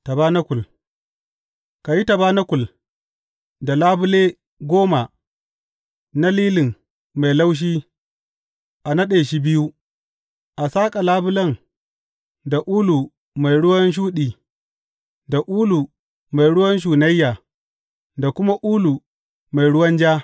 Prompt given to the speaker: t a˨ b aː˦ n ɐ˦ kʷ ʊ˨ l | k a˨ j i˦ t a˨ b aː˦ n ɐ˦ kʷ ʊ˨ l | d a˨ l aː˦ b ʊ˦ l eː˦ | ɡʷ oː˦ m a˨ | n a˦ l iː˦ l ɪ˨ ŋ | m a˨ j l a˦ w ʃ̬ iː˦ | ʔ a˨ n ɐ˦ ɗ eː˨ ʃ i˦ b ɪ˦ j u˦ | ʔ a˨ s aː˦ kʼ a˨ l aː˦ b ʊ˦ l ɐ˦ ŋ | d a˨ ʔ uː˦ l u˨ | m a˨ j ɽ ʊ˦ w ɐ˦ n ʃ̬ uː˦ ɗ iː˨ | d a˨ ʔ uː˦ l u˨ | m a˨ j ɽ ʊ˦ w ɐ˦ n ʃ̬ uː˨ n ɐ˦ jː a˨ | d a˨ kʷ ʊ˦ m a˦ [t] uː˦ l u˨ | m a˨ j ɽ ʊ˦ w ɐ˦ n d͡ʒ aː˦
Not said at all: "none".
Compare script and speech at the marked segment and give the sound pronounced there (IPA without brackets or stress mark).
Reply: ʔ